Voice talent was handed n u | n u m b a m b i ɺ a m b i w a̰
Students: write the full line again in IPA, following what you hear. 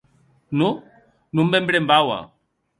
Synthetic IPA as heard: n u | n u m b ɛ m b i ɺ ɛ m b a w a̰